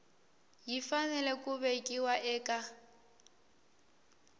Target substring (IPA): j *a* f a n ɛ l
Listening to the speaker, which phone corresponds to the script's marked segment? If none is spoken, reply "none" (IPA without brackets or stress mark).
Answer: i